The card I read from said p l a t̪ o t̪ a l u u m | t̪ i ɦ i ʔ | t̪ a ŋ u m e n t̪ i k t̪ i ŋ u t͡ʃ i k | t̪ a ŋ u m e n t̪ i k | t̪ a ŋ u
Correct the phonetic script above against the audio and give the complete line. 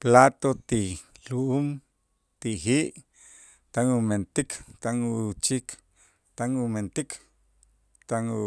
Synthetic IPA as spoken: p l a t̪ o t̪ i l u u m | t̪ i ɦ i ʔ | t̪ a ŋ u m e n t̪ i k t̪ a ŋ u t͡ʃ i k | t̪ a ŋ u m e n t̪ i k | t̪ a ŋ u